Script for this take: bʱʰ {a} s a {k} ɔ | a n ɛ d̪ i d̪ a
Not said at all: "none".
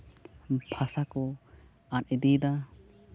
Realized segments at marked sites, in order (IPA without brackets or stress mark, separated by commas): a, k